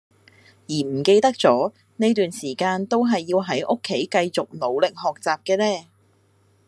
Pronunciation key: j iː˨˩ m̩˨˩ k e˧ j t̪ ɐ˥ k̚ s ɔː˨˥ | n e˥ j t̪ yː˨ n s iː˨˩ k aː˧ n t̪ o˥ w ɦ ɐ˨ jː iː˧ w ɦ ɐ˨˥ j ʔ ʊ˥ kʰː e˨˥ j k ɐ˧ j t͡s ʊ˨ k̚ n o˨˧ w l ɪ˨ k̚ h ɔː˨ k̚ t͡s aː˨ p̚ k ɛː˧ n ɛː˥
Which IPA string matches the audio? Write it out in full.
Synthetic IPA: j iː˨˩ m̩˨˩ k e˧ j t̪ ɐ˥ k̚ t͡s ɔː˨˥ | n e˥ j t̪ yː˨ n s iː˨˩ k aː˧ n t̪ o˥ w ɦ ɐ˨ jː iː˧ w ɦ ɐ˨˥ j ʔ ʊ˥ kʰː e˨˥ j k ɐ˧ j t͡s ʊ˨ k̚ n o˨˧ w l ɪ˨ k̚ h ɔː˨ k̚ t͡s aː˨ p̚ k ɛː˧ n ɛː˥